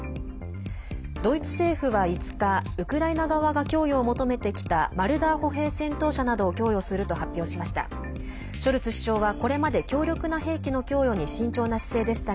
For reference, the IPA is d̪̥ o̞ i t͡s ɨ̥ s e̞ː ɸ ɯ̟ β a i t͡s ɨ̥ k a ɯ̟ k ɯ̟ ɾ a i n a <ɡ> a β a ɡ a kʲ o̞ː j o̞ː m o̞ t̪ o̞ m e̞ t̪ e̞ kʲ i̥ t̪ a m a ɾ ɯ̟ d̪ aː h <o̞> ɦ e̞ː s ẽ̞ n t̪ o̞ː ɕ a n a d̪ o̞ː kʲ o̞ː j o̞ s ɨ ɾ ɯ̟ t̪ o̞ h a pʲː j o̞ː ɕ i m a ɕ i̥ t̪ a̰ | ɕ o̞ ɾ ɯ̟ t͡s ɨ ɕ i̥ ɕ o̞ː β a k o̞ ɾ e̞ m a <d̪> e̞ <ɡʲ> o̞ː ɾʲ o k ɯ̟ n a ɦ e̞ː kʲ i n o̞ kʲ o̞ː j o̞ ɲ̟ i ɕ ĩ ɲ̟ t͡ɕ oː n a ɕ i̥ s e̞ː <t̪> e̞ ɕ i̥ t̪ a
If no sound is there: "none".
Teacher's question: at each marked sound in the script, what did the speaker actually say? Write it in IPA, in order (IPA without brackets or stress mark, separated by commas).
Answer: ɡ, o̞, d̪, kʲ, d̪